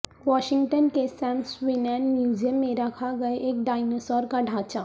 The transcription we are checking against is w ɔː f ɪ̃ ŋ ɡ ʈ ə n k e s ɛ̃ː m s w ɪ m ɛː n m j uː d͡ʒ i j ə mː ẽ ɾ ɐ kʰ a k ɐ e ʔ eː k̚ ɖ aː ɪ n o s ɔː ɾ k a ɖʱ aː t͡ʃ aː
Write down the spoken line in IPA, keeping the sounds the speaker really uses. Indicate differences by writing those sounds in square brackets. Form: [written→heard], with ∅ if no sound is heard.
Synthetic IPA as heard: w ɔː [f→ʃ] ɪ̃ ŋ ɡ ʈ ə n k e s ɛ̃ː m s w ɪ [m→n] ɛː n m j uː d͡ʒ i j ə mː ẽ ɾ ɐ kʰ a [k→ɡ] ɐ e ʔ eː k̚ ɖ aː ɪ n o s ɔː ɾ k a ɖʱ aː t͡ʃ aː